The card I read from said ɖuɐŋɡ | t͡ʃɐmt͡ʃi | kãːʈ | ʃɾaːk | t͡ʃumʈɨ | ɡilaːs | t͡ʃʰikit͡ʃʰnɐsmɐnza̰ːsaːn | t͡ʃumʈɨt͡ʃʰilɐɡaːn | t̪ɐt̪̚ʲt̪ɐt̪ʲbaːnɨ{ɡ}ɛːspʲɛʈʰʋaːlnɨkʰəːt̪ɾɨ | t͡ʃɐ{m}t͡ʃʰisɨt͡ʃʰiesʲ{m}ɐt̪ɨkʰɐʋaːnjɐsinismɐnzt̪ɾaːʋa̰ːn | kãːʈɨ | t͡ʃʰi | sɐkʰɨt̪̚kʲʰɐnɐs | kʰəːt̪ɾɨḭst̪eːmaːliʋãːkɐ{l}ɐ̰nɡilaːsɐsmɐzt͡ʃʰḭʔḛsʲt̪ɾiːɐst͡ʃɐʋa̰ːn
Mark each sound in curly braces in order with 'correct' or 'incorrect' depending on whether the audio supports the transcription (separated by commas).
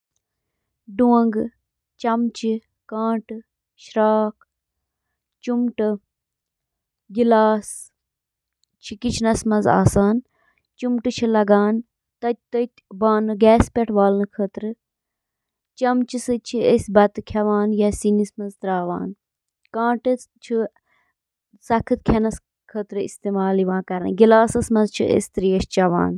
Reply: correct, correct, incorrect, incorrect